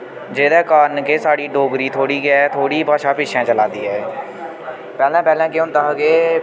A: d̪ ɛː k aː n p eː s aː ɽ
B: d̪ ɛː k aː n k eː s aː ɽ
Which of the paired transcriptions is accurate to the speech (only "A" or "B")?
B